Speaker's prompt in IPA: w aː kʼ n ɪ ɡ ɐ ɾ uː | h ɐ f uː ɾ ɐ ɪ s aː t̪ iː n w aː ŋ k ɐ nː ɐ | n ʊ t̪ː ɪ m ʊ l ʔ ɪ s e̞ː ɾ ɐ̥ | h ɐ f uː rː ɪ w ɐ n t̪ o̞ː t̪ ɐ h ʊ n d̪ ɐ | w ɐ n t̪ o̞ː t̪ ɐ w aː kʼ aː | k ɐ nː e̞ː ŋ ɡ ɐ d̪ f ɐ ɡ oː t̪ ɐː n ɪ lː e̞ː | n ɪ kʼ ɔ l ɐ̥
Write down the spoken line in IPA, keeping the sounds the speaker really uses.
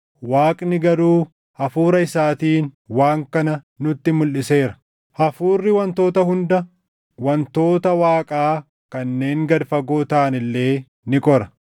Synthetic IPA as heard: w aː kʼ n ɪ ɡ ɐ ɾ uː | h ɐ f uː ɾ ɐ ɪ s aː t̪ iː n w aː ŋ k ɐ n ɐ | n ʊ t̪ː ɪ m ʊ l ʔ ɪ s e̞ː ɾ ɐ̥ | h ɐ f uː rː ɪ w ɐ n t̪ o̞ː t̪ ɐ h ʊ n d̪ ɐ | w ɐ n t̪ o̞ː t̪ ɐ w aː kʼ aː | k ɐ nː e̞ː ŋ ɡ ɐ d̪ f ɐ ɡ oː t̪ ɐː n ɪ lː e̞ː | n ɪ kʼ ɔ ɾ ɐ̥